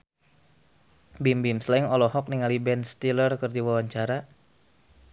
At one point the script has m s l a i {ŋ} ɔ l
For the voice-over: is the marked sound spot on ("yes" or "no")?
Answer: yes